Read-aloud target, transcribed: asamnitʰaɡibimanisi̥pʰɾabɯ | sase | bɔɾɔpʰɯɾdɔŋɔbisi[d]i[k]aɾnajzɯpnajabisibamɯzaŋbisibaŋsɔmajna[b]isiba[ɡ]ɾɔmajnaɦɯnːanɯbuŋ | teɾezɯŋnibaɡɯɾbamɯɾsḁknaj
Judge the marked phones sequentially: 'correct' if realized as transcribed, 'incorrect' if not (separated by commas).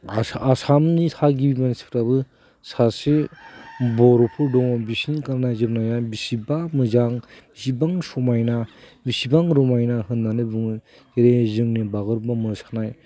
incorrect, correct, correct, incorrect